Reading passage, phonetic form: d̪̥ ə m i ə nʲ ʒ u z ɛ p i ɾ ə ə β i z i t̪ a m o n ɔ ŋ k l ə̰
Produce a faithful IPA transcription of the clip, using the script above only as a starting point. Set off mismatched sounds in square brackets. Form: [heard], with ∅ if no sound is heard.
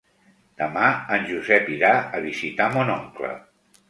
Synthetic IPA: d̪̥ ə m [a] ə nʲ ʒ u z ɛ p i ɾ [a] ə β i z i t̪ a m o n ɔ ŋ k l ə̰

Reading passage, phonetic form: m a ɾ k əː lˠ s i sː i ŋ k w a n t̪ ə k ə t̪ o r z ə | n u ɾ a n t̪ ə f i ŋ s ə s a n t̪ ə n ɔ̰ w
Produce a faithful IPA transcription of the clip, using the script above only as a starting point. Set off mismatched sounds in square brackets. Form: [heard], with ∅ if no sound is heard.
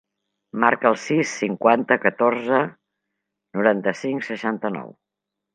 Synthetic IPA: m a ɾ k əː lˠ s i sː i ŋ k w a n t̪ ə k ə t̪ o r z ə | n u ɾ a n t̪ ə [s] i ŋ s ə [ʃ] a n t̪ ə n ɔ̰ w

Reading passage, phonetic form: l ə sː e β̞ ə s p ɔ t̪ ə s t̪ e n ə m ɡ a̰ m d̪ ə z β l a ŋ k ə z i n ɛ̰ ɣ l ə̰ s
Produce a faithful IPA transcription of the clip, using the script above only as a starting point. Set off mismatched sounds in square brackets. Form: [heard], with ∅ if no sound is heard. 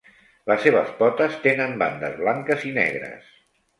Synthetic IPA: l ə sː e β̞ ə s p ɔ t̪ ə s t̪ e n ə m [b] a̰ [n] d̪ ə z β l a ŋ k ə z i n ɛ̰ ɣ [ɾ] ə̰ s

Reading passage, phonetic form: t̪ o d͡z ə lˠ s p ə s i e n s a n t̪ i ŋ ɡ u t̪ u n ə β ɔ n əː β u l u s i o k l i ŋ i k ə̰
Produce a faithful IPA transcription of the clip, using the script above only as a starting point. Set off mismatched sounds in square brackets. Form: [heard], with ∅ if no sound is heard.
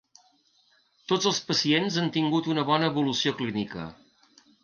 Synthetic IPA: t̪ o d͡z ə lˠ s p ə s i e n [z] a n t̪ i ŋ ɡ u t̪ u n ə β ɔ n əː β u l u s i o k l i [n] i k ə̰

